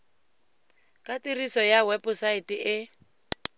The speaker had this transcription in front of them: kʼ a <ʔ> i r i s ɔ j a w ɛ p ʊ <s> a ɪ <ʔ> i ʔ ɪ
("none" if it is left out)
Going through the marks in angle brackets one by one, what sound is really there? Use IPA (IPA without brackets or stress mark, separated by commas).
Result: t, s, t